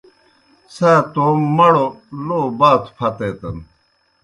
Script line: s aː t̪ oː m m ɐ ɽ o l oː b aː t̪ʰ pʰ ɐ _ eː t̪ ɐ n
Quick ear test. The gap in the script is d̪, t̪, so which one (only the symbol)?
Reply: t̪